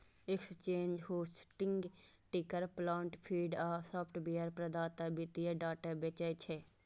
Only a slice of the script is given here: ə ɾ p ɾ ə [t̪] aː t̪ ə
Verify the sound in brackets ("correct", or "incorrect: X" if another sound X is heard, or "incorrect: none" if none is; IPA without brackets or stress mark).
incorrect: d̪